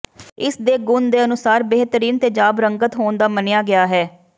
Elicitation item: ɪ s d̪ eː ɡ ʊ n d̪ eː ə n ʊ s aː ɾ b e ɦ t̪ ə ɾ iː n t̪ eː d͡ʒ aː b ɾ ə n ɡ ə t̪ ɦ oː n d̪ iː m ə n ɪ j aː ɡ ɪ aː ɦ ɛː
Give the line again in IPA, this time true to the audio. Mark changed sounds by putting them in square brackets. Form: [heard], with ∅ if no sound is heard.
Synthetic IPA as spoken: ɪ s d̪ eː ɡ ʊ n d̪ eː ə n ʊ s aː ɾ b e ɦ t̪ ə ɾ iː n t̪ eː d͡ʒ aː b ɾ ə [ŋ] ɡ ə t̪ ɦ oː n d̪ [aː] m ə n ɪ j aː ɡ ɪ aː ɦ ɛː